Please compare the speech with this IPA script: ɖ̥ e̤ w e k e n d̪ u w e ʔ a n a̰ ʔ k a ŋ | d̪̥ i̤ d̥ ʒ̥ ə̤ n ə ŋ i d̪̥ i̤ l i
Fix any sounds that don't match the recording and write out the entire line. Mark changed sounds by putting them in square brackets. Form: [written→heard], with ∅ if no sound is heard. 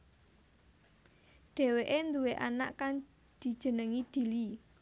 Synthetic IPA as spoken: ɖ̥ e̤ w e [k→ʔ] e n d̪ u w e ʔ a n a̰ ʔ k a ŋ | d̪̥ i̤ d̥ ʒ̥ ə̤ n ə ŋ i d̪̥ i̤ l i